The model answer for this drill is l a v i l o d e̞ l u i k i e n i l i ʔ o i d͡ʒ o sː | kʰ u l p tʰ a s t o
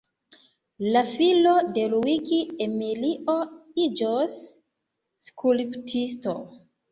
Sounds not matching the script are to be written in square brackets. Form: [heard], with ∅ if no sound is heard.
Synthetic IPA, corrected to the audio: l a [f] i l o d e̞ l u i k i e [m] i l i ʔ o i d͡ʒ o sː | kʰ u l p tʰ [i] s t o